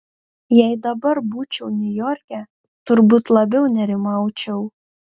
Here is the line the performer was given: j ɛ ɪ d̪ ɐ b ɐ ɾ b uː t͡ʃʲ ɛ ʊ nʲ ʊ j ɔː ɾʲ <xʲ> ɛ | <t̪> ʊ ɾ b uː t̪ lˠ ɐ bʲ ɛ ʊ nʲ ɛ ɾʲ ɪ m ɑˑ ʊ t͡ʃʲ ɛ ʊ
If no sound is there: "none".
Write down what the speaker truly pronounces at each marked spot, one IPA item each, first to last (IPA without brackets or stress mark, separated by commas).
kʲ, t̪